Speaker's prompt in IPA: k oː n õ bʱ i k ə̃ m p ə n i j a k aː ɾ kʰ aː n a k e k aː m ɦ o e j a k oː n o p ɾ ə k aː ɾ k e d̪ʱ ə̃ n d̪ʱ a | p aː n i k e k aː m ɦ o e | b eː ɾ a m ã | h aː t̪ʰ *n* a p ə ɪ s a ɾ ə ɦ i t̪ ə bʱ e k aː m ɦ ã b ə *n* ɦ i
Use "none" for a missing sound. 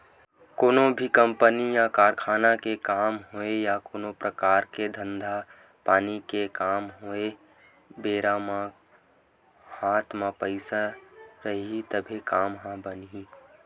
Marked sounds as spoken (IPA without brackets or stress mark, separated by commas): m, n